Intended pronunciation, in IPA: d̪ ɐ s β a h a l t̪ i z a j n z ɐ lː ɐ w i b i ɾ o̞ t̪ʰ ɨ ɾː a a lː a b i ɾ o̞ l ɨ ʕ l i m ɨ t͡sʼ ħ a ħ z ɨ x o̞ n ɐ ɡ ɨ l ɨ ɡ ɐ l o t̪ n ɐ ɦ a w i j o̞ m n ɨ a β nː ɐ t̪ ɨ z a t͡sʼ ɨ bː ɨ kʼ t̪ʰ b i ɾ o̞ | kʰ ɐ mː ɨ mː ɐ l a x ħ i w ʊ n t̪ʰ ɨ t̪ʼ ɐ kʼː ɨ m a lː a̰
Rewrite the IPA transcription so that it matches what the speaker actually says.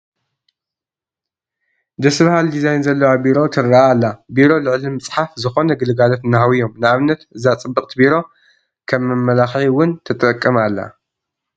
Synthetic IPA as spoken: d̪ ɐ s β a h a l d̪ i z a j n z ɐ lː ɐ w a b i ɾ o̞ t̪ʰ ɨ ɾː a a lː a b i ɾ o̞ l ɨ ʕ l i m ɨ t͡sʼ ħ a f z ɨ x o̞ n ɐ ɡ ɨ l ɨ ɡ a l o t̪ n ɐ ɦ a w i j o̞ m n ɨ a β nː ɐ t̪ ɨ z a t͡sʼ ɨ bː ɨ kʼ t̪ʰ b i ɾ o̞ | kʰ ɐ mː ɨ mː ɐ l a x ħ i w ʊ n t̪ʰ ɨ t̪ʼ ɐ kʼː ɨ m a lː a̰